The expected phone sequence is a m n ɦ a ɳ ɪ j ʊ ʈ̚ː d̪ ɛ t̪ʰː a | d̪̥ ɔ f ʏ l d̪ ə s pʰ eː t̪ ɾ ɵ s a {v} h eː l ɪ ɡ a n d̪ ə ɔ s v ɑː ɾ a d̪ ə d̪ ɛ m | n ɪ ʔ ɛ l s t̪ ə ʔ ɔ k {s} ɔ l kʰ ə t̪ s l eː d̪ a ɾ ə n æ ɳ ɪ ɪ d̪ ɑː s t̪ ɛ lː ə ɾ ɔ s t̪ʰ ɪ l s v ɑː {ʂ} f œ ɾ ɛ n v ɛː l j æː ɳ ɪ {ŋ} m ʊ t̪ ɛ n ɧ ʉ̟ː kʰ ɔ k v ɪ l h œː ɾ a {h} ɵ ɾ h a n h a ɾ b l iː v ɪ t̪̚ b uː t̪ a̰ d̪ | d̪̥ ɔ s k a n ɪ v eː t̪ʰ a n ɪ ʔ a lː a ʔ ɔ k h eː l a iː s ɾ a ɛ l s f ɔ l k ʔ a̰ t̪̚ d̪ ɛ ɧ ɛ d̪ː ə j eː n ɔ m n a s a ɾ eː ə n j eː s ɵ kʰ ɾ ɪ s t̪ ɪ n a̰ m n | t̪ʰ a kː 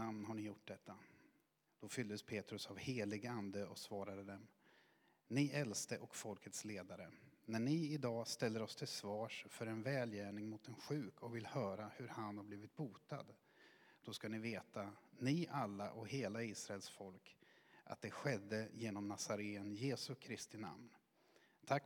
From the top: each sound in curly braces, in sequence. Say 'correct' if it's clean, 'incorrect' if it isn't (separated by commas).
correct, incorrect, correct, correct, correct